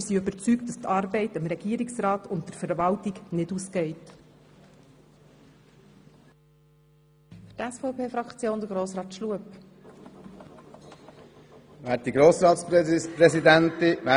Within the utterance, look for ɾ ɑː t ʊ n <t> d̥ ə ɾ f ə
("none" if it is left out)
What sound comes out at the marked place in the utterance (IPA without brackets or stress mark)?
t